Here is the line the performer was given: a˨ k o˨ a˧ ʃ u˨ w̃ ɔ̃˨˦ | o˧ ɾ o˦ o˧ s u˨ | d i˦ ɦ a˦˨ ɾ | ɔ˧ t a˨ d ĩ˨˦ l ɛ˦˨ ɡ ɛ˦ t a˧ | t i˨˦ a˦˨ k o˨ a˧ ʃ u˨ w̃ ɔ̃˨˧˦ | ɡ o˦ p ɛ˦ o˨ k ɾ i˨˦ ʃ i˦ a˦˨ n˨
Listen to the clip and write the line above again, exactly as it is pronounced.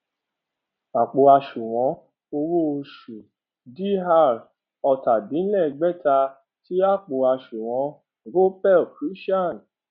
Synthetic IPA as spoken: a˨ k͡p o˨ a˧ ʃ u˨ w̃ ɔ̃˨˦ | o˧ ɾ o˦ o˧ ʃ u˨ | d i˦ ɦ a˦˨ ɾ | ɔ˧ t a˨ d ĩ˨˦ l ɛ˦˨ ɡ͡b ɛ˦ t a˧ | t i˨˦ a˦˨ k͡p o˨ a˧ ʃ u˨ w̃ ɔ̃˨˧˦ | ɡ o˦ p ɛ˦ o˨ k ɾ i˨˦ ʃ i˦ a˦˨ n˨

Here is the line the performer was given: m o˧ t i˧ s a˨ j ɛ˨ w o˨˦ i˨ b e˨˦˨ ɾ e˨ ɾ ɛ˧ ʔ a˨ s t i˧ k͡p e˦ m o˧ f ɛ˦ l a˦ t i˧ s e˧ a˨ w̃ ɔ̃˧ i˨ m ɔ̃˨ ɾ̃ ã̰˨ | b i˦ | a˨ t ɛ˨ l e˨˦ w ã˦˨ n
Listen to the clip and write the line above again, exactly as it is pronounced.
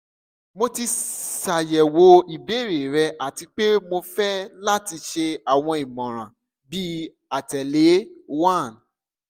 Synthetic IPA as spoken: m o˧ t i˧ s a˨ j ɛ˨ w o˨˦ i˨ b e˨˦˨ ɾ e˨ ɾ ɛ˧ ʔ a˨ t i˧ k͡p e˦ m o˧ f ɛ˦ l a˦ t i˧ ʃ e˧ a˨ w̃ ɔ̃˧ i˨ m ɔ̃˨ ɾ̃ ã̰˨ | b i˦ | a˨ t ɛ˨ l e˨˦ w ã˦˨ n

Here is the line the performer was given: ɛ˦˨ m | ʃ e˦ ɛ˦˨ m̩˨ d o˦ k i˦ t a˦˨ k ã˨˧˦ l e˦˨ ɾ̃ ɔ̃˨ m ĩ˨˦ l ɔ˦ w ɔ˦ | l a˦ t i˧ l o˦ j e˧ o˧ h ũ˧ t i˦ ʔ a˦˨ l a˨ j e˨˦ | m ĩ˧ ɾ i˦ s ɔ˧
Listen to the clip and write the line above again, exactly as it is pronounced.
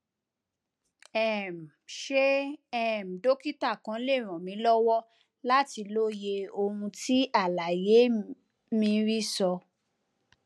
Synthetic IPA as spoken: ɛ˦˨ m | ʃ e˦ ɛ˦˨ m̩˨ d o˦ k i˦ t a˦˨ k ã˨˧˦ l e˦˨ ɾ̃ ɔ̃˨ m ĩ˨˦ l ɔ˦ w ɔ˦ | l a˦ t i˧ l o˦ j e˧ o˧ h ũ˧ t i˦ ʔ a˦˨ l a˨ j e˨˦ | m ĩ˧ ɾ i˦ s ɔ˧

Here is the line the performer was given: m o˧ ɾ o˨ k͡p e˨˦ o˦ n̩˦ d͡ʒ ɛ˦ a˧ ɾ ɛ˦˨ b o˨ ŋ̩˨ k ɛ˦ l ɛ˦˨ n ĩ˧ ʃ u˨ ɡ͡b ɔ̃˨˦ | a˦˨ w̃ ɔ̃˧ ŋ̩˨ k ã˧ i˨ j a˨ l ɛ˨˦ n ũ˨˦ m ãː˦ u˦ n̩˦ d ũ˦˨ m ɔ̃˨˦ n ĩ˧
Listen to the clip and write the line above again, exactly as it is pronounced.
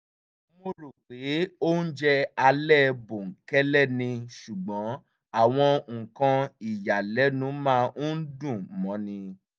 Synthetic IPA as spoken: m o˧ ɾ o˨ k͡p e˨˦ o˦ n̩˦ d͡ʒ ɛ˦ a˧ l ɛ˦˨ b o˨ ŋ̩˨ k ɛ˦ l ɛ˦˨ n ĩ˧ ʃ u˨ ɡ͡b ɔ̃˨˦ | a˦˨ w̃ ɔ̃˧ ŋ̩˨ k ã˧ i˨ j a˨ l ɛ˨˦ n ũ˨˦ m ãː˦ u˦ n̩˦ d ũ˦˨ m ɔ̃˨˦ n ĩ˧

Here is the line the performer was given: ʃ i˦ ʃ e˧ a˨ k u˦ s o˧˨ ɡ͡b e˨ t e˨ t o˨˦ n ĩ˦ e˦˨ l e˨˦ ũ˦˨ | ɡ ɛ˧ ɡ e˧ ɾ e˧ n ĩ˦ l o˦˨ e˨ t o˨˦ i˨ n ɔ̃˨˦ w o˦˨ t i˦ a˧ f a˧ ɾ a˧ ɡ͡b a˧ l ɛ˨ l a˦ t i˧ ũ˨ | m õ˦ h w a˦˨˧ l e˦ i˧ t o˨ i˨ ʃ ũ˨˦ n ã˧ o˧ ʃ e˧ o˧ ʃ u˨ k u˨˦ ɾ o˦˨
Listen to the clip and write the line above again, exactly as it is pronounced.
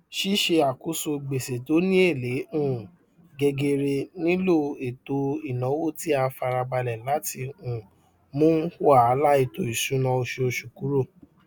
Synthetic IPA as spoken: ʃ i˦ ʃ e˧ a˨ k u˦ s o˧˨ ɡ͡b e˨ s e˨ t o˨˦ n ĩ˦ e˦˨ l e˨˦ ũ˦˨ | ɡ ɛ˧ ɡ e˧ ɾ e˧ n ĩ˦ l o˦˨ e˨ t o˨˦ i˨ n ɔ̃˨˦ w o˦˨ t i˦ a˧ f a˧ ɾ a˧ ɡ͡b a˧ l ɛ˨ l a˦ t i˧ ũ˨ | m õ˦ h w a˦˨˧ l a˦ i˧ t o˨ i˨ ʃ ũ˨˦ n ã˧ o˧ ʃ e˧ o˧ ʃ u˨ k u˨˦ ɾ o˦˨

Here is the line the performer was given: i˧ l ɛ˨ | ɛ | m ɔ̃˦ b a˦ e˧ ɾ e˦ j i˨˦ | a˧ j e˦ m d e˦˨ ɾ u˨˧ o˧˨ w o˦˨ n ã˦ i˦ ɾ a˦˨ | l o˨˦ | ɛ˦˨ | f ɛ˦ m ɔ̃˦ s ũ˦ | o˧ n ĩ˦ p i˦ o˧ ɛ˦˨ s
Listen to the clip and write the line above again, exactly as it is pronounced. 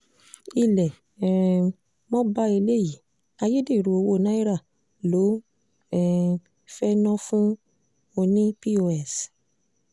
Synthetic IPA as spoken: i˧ l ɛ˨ | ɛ | m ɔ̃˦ b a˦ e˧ l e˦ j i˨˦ | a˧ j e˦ d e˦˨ ɾ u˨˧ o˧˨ w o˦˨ n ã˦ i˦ ɾ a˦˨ | l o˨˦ | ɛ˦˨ | f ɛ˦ n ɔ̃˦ f ũ˦ | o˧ n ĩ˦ p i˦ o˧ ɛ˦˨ s

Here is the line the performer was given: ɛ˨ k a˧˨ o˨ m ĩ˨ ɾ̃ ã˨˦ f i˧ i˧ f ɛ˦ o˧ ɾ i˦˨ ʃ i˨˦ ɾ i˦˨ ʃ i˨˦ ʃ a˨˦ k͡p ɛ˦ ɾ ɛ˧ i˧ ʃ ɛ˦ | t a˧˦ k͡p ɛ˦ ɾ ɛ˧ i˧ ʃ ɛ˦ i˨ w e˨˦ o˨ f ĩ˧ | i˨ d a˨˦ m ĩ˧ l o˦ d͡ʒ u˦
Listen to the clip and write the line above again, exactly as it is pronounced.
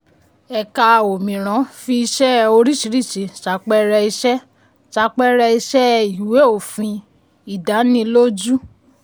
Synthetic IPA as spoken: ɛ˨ k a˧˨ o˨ m ĩ˨ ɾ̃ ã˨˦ f i˧ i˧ ʃ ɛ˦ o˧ ɾ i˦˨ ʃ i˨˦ ɾ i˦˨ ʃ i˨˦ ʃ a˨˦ k͡p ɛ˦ ɾ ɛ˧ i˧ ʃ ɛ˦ | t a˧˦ k͡p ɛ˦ ɾ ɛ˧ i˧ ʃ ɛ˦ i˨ w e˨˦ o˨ f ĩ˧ | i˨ d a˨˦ n ĩ˧ l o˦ d͡ʒ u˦

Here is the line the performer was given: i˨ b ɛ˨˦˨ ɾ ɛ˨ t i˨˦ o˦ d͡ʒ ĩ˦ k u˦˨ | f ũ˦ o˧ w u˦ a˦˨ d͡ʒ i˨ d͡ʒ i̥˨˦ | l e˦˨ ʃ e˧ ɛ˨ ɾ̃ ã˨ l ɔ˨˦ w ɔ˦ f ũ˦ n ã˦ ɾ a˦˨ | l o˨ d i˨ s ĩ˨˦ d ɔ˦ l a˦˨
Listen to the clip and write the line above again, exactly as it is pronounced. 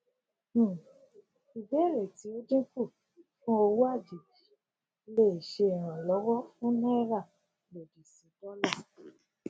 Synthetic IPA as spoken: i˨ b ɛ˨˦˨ ɾ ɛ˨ t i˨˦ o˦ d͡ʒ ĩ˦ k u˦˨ | f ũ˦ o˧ w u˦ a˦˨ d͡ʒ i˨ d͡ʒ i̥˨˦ | l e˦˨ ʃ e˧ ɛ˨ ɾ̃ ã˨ l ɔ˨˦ w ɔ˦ f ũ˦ n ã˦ ɾ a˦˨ | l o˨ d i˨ s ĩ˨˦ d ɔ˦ l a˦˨

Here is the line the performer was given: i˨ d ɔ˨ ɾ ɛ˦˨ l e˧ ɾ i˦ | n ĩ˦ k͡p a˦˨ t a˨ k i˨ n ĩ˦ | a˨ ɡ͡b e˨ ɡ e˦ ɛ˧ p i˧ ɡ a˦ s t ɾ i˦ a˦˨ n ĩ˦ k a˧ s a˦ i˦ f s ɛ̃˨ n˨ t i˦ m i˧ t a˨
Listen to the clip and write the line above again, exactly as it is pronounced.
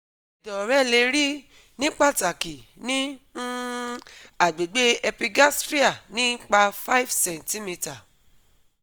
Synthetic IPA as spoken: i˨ d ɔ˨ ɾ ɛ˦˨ l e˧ ɾ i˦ | n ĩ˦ k͡p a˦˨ t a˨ k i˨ n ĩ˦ | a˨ ɡ͡b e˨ ɡ͡b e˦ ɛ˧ p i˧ ɡ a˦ s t ɾ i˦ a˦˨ n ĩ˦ k͡p a˧ f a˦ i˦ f s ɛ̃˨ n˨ t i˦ m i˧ t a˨

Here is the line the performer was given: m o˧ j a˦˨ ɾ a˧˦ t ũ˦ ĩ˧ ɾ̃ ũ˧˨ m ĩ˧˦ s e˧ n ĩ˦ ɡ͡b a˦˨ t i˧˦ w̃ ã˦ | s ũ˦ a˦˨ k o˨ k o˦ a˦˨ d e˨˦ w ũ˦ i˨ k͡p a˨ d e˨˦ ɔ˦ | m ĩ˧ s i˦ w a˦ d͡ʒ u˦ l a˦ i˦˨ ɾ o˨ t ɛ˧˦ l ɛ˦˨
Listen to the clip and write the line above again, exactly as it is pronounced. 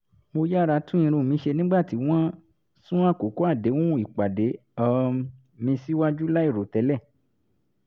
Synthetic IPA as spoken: m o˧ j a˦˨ ɾ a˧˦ t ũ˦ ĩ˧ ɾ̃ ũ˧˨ m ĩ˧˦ ʃ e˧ n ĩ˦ ɡ͡b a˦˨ t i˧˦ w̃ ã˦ | s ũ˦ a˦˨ k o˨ k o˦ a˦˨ d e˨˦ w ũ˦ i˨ k͡p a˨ d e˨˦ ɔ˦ | m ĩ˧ s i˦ w a˦ d͡ʒ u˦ l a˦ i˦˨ ɾ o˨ t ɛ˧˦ l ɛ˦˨

